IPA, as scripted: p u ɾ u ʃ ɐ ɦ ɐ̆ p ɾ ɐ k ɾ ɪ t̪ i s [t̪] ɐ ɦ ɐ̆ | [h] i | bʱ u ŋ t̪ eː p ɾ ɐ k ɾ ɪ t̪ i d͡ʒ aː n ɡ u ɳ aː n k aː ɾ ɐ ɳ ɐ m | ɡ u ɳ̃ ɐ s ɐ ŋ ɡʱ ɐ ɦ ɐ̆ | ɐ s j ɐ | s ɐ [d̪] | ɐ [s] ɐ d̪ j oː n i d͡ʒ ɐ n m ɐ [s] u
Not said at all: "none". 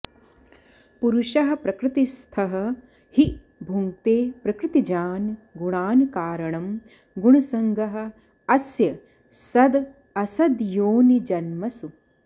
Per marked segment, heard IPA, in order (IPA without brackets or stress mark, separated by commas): t̪ʰ, h, d̪, s, s